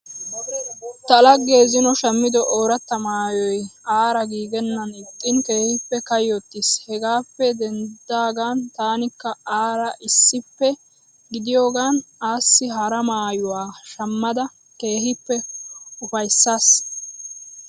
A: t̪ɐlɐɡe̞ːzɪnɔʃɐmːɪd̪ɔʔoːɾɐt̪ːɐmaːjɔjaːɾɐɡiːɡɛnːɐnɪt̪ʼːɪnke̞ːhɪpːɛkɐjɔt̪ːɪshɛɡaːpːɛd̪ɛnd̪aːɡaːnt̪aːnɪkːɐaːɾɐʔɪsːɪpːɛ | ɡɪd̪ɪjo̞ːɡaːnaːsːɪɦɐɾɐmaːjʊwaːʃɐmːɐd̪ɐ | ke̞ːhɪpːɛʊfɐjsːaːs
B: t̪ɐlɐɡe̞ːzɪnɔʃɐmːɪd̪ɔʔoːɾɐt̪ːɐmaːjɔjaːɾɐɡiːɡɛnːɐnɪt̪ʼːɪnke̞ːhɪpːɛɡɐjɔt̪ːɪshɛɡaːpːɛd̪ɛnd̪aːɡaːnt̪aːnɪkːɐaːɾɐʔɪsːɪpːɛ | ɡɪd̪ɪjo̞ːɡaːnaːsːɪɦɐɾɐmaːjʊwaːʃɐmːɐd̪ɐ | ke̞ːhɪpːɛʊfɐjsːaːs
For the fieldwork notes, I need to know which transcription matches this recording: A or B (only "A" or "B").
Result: A